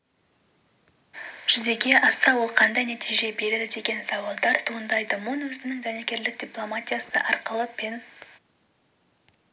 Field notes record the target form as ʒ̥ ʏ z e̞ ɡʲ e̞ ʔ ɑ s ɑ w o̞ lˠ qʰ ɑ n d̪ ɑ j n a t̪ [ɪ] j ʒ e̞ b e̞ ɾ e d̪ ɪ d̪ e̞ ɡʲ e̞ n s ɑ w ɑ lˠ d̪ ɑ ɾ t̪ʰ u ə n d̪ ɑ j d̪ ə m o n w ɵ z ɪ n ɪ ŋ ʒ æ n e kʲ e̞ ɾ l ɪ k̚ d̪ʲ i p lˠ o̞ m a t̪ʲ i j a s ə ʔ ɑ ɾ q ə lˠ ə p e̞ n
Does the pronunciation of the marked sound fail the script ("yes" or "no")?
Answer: yes